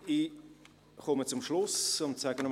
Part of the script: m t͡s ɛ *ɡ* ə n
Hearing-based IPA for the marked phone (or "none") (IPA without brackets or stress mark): ɡ